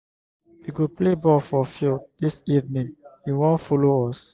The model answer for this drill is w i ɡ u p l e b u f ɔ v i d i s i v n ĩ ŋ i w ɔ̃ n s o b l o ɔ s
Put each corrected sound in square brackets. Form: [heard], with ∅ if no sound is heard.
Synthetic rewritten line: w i ɡ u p l e b [ɔ] f ɔ [f] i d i s i v n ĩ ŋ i w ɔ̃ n [f] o [∅] l o ɔ s

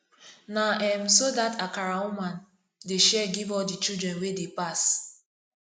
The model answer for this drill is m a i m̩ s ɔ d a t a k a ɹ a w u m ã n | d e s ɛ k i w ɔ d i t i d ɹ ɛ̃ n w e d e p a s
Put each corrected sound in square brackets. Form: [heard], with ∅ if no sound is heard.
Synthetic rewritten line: [n] a [ɛ] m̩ s [o] d a t a k a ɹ a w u m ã n | d e [ʃ] ɛ [ɡ] i [v] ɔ d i [t͡ʃ] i d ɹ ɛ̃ n w e d e p a s

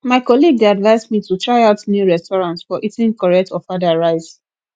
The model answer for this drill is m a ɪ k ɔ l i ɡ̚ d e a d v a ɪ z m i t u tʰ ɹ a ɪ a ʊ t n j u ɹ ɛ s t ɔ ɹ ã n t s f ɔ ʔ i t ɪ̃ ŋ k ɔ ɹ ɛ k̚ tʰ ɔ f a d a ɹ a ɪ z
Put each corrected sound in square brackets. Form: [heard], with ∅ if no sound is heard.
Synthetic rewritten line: m a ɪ k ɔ l i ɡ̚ d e a d v a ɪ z m i t u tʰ ɹ a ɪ a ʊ t n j u ɹ ɛ s t ɔ ɹ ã n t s f ɔ ʔ i t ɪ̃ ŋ k ɔ ɹ ɛ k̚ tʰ ɔ f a d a ɹ a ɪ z

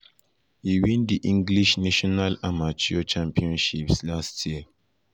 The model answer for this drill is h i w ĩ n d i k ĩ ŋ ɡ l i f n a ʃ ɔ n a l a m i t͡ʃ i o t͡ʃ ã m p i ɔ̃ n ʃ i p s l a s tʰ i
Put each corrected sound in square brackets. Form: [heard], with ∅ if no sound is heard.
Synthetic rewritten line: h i w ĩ n d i [ʔ] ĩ ŋ ɡ l i [ʃ] n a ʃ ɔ n a l a m [a] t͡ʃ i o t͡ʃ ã m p i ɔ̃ n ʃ i p s l a s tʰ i

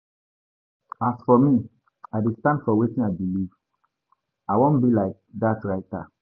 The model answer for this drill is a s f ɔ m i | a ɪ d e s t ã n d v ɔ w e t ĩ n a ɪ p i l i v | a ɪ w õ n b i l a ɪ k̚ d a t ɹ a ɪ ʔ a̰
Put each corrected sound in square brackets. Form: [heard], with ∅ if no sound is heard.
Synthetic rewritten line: a s f ɔ m i | a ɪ d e s t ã n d [f] ɔ w e t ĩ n a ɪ [b] i l i v | a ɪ w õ n b i l a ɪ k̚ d a t ɹ a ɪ [t] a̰

